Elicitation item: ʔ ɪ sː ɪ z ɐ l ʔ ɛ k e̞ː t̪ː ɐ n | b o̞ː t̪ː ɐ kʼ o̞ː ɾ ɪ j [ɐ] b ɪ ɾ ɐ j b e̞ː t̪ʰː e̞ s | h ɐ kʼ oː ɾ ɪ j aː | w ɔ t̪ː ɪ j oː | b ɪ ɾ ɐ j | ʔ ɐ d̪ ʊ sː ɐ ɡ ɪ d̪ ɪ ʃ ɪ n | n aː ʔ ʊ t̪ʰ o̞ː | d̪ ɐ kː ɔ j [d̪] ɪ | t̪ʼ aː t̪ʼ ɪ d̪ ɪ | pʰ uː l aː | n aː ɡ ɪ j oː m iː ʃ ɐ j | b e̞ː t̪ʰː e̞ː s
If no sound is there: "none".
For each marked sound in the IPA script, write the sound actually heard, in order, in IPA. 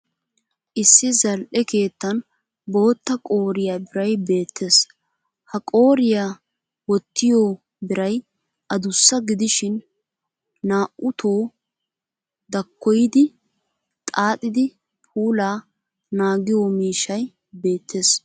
a, d̪

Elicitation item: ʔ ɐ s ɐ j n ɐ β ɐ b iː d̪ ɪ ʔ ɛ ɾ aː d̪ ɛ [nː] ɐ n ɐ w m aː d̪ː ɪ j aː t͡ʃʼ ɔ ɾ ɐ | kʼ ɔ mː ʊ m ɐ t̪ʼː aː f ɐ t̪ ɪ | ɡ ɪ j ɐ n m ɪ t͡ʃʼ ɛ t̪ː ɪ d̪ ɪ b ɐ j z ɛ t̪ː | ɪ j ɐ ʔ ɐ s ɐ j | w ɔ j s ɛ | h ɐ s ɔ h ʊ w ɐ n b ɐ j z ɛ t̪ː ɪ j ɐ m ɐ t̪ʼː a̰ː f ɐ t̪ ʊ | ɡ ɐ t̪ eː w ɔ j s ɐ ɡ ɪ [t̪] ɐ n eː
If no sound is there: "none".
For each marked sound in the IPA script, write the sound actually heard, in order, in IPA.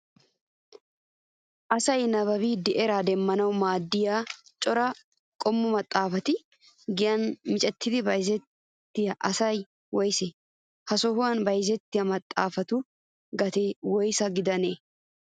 mː, d̪

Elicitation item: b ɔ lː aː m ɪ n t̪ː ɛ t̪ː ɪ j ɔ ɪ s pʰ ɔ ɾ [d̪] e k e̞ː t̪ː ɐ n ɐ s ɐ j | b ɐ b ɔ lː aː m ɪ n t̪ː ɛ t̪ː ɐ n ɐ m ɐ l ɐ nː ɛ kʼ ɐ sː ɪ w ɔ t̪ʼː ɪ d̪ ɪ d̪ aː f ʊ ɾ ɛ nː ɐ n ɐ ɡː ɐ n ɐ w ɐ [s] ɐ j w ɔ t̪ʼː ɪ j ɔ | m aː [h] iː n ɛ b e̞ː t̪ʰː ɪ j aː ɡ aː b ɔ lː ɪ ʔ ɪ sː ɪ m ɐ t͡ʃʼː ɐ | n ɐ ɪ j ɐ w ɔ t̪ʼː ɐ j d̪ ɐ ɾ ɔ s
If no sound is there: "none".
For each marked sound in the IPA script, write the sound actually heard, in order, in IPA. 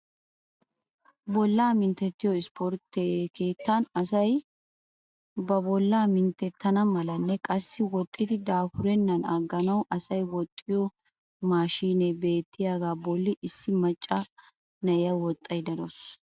t̪, s, ʃ

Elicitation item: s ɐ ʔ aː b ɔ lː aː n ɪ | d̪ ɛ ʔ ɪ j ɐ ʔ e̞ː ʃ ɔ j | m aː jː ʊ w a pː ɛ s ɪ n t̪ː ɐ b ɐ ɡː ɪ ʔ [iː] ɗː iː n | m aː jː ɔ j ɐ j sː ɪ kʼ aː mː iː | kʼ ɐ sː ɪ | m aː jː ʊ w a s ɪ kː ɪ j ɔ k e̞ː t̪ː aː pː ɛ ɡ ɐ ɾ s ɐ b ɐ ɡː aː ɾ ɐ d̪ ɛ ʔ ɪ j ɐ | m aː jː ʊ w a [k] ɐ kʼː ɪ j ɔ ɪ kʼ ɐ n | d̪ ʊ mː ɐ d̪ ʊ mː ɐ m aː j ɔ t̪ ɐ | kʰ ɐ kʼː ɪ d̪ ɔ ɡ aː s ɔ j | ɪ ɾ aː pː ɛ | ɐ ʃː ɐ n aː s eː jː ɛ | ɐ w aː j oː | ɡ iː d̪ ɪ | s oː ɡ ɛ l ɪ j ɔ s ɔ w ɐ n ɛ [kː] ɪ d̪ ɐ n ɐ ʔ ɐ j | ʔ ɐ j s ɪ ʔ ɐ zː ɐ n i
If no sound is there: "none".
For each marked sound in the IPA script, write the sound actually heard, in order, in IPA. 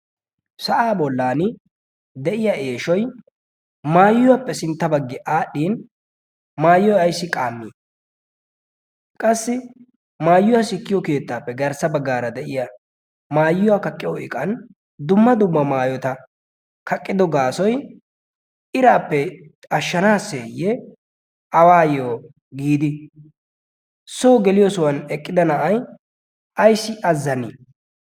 aː, k, kʼː

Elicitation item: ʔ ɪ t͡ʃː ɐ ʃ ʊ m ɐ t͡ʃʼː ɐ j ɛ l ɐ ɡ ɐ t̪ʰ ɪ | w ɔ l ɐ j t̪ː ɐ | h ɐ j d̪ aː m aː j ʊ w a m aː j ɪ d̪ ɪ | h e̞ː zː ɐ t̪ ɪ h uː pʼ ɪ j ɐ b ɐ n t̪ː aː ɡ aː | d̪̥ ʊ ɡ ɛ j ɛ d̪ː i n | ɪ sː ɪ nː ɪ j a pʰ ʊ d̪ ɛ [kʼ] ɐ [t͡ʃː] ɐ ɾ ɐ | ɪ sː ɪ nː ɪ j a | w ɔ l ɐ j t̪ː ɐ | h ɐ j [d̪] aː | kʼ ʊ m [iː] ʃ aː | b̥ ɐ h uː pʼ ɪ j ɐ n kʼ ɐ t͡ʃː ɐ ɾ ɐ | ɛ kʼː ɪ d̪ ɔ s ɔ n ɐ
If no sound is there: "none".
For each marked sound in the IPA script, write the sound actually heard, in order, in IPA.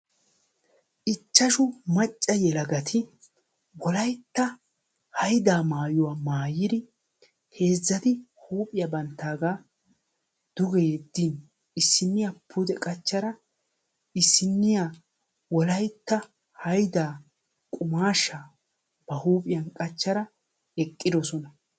kʼ, t͡ʃː, d̪, aː

